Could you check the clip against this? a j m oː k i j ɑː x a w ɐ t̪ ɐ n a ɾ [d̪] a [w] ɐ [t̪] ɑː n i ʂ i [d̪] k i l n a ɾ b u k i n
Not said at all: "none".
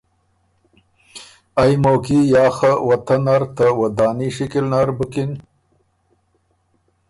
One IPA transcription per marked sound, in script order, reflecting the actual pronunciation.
t̪, w, d̪, none

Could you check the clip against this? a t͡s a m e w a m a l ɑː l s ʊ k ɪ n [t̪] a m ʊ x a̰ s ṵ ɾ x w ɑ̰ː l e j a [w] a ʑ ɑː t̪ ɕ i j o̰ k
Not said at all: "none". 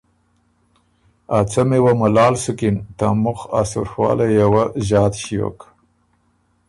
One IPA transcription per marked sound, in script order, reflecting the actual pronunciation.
t̪, w

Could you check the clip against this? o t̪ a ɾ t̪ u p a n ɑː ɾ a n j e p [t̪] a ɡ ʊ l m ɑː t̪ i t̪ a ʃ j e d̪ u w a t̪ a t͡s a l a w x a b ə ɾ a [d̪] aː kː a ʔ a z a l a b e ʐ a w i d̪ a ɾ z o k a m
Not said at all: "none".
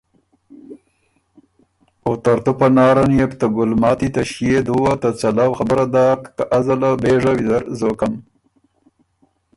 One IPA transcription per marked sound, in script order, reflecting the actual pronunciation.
t̪, d̪

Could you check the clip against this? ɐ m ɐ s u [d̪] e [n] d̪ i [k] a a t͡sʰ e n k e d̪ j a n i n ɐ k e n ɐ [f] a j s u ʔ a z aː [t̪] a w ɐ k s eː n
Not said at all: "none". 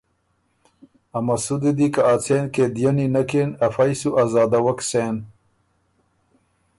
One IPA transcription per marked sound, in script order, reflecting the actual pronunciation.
d̪, none, k, f, d̪

